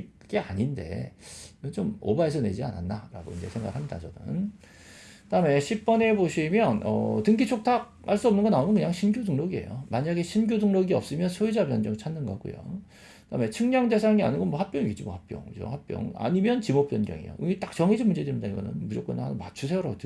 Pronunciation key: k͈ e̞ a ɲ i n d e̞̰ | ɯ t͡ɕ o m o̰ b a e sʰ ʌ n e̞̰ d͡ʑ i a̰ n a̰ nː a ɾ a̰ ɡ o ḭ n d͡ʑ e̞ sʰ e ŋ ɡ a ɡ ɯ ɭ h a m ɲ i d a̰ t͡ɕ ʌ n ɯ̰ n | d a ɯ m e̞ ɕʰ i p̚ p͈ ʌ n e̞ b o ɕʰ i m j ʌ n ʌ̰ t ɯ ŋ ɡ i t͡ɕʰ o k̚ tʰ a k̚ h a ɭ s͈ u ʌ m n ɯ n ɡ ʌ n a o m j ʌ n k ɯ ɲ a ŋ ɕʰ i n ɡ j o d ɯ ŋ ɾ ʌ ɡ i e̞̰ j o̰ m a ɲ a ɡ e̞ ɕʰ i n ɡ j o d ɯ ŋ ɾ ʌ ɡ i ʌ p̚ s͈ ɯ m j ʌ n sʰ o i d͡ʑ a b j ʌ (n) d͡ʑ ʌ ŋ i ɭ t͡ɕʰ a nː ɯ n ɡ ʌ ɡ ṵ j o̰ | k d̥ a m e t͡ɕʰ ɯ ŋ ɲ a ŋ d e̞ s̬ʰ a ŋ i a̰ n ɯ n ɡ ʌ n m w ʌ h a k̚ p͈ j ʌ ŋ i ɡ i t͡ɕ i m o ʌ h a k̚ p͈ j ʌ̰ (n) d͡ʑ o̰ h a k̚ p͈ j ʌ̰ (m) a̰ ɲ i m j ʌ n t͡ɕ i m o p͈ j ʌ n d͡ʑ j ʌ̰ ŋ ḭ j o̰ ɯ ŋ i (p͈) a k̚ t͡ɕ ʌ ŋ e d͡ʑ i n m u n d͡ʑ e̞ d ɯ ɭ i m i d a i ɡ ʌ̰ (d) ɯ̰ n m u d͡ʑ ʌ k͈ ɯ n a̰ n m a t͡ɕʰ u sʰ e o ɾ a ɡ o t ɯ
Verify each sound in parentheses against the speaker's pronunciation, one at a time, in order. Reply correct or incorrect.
correct, incorrect, incorrect, incorrect, incorrect

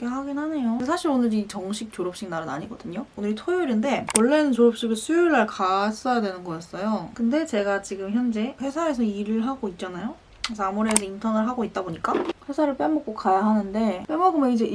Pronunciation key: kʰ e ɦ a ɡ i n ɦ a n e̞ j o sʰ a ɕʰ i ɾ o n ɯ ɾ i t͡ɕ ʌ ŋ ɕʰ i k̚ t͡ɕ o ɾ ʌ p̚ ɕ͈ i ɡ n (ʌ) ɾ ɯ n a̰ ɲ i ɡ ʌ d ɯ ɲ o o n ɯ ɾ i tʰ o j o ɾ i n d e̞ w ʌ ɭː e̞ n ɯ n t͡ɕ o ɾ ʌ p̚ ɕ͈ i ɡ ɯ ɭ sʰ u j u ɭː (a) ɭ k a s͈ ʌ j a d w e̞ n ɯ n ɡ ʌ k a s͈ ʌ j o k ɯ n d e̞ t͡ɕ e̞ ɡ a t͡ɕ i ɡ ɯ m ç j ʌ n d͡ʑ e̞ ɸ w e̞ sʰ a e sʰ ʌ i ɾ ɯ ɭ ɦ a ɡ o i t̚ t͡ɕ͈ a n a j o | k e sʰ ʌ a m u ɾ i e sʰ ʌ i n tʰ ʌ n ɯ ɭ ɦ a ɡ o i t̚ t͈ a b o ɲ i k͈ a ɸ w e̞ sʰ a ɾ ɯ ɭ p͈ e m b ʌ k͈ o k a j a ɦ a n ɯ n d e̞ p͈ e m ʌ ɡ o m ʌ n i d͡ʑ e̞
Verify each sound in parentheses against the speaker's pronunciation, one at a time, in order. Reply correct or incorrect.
incorrect, correct

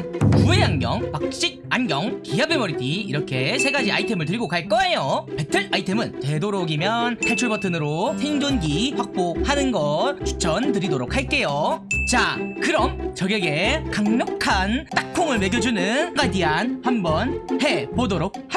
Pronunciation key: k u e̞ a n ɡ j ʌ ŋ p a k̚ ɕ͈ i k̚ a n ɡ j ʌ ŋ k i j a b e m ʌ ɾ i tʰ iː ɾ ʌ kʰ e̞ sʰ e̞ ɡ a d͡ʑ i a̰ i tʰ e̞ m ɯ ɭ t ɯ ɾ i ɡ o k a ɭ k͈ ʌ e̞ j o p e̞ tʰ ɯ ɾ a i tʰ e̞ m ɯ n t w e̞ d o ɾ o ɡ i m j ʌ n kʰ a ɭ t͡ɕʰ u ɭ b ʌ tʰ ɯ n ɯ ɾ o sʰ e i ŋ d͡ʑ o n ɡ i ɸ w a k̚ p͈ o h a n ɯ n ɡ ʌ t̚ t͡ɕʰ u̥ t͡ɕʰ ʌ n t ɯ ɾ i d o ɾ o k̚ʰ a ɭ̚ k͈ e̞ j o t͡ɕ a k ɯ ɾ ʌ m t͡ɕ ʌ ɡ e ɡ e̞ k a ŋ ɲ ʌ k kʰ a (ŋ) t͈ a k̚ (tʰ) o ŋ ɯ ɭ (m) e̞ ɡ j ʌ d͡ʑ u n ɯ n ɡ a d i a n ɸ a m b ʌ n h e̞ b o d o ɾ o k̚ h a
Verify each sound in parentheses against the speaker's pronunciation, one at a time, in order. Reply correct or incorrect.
incorrect, incorrect, correct

